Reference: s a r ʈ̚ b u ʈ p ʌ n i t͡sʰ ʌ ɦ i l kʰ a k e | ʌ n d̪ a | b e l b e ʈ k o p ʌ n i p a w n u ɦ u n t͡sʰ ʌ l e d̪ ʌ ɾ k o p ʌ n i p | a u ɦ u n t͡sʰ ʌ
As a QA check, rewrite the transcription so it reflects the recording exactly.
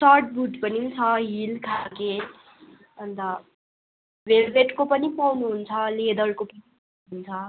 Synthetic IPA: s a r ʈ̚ b u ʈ p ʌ n i t͡sʰ ʌ ɦ i l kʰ a k e | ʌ n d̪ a | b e l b e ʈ k o p ʌ n i p a w n u ɦ u n t͡sʰ ʌ l e d̪ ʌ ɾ k o p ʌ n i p | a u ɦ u n t͡sʰ ʌ